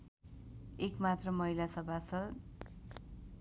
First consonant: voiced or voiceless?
voiceless